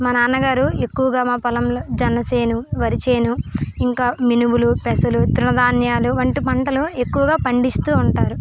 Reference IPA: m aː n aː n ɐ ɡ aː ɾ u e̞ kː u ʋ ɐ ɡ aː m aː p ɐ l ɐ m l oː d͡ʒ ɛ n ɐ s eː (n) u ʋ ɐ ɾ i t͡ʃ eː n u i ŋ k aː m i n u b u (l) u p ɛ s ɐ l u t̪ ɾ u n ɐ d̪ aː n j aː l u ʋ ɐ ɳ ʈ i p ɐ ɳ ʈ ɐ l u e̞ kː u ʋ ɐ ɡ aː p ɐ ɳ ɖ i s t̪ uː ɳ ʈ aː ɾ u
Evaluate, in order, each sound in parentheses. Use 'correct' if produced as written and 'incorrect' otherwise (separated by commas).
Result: correct, correct